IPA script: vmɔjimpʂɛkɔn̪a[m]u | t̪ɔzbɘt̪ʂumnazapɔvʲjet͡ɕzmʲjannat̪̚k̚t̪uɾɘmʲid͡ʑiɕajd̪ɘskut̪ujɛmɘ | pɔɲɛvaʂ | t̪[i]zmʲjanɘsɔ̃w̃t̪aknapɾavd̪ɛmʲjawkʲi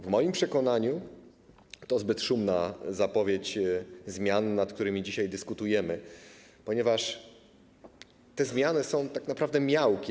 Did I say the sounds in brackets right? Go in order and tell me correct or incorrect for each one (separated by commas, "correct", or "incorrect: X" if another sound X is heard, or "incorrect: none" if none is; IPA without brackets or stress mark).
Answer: incorrect: ɲ, incorrect: ɛ